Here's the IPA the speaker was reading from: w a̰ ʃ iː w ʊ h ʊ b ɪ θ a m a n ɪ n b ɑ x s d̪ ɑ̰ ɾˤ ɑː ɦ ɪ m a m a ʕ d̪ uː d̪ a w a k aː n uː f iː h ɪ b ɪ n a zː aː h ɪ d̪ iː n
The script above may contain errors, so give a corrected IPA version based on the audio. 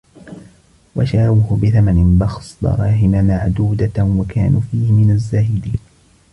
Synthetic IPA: w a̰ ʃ aː w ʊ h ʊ b ɪ θ a m a n ɪ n b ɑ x s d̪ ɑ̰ ɾˤ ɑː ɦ ɪ m a m a ʕ d̪ uː d̪ a w a k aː n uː f iː h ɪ m ɪ n a zː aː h ɪ d̪ iː n

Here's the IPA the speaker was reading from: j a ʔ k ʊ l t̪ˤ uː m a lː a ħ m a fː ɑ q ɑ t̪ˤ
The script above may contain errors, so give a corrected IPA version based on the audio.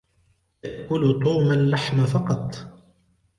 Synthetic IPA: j a ʔ k ʊ l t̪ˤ uː m a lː a ħ m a f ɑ q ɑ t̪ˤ

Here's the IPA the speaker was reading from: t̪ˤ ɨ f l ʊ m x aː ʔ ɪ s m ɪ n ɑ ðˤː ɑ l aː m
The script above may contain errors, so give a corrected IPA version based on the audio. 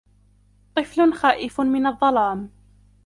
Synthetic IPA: t̪ˤ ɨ f l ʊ n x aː ʔ ɪ f m ɪ n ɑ ðˤː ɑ l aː m

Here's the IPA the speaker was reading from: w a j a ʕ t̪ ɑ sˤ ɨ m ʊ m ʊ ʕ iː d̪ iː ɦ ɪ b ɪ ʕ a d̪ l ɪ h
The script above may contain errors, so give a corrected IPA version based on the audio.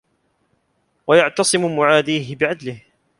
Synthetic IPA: w a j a ʕ t̪ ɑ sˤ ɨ m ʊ m ʊ ʕ aː d̪ iː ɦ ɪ b ɪ ʕ a d̪ l ɪ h

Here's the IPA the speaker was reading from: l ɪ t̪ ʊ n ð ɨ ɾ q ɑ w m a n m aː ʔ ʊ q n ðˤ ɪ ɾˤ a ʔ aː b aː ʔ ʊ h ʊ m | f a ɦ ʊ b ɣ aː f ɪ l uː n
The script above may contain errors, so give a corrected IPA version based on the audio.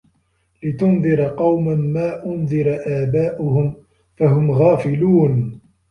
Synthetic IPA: l ɪ t̪ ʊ n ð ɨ ɾ q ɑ w m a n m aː ʔ ʊ n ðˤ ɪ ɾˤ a ʔ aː b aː ʔ ʊ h ʊ m | f a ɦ ʊ m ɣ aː f ɪ l uː n

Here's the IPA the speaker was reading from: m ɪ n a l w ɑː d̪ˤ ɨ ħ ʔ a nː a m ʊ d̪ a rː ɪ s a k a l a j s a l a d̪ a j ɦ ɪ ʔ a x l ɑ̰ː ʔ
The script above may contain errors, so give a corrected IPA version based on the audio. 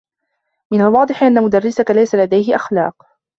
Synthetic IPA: m ɪ n a l w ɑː d̪ˤ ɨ ħ ʔ a nː a m ʊ d̪ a rː ɪ s a k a l a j s a l a d̪ a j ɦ ɪ ʔ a x l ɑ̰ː q

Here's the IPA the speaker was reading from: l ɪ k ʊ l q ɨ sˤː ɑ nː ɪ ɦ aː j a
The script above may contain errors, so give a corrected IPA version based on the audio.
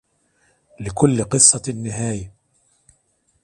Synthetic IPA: l ɪ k ʊ lː q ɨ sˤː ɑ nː ɪ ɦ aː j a

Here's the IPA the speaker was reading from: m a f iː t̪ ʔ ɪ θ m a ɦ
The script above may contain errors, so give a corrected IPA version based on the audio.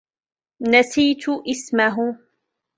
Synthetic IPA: n a s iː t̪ ʔ ɪ s m a ɦ

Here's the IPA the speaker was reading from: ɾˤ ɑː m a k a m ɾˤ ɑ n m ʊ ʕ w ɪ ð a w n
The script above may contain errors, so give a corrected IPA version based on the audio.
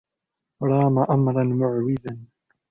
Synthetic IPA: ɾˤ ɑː m a ʔ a m ɾˤ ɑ n m ʊ ʕ w ɪ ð a n

